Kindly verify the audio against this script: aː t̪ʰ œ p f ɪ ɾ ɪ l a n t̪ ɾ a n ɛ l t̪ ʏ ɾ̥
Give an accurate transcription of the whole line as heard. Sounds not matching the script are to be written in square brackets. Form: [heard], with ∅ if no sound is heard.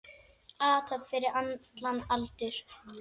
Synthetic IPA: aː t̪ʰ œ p f ɪ ɾ ɪ [ɾ] a n t̪ [l] a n [a] l t̪ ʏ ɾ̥